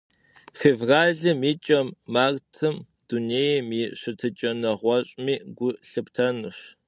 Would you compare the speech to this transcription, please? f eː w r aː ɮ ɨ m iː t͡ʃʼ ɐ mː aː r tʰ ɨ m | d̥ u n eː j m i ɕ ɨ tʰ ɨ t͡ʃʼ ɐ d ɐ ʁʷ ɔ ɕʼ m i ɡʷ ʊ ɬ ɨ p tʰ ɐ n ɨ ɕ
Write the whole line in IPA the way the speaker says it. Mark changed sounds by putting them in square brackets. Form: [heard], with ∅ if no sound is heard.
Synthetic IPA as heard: f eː [v] r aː ɮ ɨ m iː t͡ʃʼ ɐ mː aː r tʰ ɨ m | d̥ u n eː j m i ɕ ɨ tʰ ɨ t͡ʃʼ ɐ [n] ɐ ʁʷ ɔ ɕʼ m [iː] ɡʷ ʊ ɬ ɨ p tʰ ɐ n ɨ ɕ